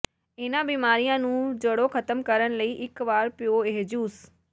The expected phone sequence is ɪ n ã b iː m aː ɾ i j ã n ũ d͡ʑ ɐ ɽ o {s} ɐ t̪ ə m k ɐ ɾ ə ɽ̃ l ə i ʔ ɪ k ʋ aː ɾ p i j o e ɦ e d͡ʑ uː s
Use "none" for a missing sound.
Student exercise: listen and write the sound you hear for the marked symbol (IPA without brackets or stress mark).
x